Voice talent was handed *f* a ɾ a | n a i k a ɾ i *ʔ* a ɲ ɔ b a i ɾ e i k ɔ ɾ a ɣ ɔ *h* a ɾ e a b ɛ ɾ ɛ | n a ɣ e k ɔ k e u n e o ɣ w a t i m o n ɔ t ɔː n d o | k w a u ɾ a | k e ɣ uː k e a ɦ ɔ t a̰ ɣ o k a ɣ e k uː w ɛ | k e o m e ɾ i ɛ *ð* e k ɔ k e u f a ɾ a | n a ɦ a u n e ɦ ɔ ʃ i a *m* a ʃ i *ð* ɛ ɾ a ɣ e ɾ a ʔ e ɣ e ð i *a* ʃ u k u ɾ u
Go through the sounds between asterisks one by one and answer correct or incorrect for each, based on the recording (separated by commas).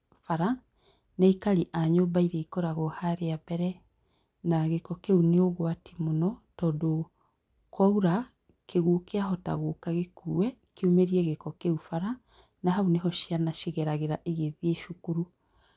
correct, correct, correct, incorrect, incorrect, incorrect, incorrect